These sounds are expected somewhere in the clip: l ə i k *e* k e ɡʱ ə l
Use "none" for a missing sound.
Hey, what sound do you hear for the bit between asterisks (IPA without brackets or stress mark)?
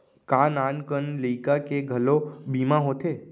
a